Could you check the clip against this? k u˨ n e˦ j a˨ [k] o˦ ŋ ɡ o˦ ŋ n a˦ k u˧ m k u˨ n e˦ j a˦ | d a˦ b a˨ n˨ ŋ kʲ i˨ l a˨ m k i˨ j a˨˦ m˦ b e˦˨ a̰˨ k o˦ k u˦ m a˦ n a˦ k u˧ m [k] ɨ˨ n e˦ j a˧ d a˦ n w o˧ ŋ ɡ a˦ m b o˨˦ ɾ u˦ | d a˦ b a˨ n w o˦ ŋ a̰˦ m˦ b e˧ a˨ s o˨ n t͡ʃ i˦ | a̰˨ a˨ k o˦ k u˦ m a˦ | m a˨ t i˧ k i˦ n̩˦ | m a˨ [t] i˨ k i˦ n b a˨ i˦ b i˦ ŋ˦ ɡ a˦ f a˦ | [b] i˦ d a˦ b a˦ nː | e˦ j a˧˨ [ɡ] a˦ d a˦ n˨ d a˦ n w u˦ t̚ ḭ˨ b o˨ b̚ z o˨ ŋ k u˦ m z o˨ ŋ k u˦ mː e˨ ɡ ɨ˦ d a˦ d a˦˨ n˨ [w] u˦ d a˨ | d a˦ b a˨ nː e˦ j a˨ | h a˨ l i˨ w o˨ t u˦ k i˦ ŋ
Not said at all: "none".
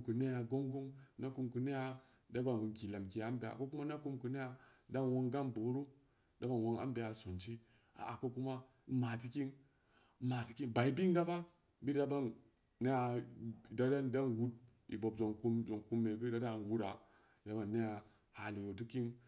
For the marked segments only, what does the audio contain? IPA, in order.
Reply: ɡ, k, t, b, d, w

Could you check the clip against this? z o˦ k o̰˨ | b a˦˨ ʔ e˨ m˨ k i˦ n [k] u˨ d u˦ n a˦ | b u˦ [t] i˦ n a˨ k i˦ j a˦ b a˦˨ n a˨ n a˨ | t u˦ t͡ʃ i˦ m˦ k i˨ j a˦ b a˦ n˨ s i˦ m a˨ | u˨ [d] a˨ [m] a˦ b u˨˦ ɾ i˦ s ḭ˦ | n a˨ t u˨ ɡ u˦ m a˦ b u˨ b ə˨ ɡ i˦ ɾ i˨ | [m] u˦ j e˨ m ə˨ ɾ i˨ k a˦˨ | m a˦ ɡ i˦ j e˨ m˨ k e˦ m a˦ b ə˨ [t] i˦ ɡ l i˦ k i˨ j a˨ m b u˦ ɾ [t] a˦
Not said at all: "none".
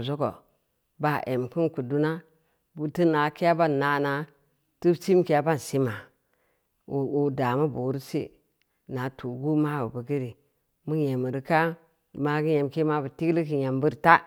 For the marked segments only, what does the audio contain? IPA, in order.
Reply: k, t, d, m, m, t, t

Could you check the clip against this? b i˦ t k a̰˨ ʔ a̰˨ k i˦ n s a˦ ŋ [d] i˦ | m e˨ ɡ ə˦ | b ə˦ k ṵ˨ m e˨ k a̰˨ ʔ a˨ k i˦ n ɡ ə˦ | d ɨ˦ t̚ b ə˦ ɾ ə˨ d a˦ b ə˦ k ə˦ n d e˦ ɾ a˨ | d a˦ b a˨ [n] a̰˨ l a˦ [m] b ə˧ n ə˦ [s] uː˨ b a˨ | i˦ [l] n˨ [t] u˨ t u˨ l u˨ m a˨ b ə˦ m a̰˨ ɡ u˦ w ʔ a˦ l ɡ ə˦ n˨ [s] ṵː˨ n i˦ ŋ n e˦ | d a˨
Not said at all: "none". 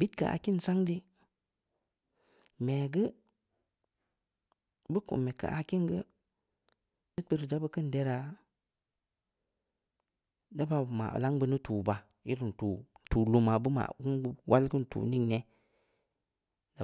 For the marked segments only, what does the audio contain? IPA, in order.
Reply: d, m, ŋ, t, ɾ, t, t

